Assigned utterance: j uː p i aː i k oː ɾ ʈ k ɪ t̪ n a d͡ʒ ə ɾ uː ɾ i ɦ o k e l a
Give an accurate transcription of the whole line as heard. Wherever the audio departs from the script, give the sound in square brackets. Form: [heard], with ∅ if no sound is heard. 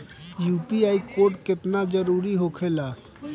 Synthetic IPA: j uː p i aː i k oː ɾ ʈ k ɪ t̪ n a d͡ʒ ə ɾ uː ɾ i ɦ o [kʰ] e l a